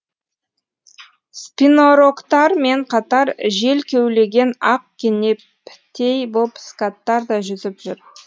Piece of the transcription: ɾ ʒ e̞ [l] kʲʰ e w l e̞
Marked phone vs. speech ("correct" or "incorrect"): correct